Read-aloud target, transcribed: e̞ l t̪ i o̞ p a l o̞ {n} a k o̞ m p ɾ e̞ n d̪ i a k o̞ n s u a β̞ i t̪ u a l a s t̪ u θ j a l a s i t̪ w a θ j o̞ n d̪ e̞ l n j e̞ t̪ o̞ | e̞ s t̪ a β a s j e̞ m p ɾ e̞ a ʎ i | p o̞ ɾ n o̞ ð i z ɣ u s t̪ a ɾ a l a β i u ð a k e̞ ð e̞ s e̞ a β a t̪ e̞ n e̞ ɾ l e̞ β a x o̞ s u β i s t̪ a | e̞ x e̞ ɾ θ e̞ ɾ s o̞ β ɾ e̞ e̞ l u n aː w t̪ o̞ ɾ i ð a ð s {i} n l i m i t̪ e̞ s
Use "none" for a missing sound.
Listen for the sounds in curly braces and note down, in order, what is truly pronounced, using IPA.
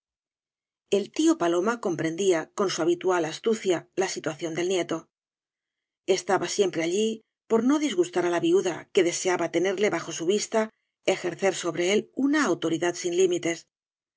m, i

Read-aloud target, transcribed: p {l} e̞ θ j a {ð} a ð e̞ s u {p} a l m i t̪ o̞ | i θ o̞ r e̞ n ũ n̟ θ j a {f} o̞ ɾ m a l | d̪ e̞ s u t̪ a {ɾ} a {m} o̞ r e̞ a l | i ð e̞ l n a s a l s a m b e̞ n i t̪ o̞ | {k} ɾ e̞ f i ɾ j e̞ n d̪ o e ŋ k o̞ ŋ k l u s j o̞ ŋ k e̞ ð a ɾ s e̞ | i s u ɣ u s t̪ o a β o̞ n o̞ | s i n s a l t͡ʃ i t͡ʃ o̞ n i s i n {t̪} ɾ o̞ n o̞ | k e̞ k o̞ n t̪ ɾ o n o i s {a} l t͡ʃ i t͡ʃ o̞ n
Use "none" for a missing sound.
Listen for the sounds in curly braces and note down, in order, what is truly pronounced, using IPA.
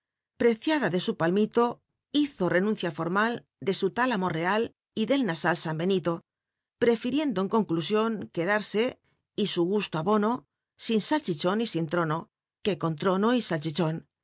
ɾ, ð, p, f, l, m, p, t̪, a

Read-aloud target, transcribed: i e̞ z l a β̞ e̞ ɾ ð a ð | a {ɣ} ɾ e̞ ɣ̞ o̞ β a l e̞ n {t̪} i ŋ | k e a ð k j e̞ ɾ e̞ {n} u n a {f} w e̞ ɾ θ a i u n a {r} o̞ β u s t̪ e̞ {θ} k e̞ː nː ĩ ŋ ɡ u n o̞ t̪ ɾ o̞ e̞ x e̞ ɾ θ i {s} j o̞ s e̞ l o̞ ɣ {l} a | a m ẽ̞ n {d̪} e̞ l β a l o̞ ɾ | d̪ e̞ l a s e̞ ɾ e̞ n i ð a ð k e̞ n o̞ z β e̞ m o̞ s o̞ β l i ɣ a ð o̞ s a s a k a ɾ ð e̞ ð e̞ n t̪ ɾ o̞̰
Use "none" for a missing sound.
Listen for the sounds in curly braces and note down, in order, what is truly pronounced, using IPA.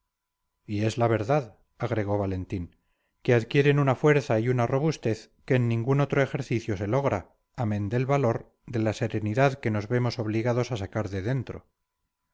ɣ, t̪, n, f, r, θ, θ, ɾ, d̪

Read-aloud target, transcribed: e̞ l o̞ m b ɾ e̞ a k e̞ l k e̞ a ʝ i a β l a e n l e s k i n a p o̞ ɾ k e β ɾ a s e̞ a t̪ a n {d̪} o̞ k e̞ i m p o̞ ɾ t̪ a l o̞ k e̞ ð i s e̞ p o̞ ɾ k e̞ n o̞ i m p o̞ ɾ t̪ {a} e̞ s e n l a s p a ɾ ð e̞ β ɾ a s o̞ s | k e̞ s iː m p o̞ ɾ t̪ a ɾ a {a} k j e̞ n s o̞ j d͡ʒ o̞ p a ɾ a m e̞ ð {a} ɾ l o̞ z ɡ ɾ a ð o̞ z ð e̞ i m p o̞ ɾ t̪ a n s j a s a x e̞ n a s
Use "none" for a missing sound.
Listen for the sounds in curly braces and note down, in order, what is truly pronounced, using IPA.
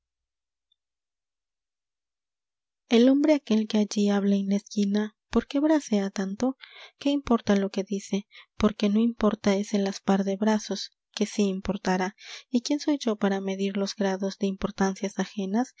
t̪, a, i, i

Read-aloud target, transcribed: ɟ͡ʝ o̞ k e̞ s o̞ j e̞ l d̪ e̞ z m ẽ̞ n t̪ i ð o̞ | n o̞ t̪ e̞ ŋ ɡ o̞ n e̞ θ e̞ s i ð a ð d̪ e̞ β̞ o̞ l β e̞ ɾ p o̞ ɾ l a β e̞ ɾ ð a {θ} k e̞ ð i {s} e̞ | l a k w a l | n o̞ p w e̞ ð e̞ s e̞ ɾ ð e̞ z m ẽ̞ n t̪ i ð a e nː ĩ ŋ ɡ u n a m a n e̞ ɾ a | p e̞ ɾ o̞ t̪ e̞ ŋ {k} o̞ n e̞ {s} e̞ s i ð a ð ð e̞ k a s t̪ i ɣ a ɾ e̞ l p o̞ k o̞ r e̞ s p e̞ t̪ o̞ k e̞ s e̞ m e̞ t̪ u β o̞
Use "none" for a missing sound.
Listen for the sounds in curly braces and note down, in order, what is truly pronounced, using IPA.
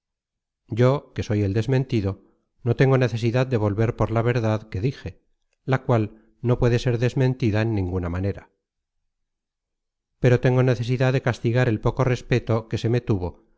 ð, x, ɡ, θ

